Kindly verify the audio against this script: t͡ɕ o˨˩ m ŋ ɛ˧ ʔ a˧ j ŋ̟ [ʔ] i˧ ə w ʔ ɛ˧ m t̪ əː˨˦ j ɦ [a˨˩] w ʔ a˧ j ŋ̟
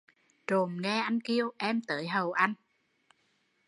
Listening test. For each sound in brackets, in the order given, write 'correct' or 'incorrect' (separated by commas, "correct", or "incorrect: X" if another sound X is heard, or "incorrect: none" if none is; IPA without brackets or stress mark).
incorrect: k, incorrect: ə˨˩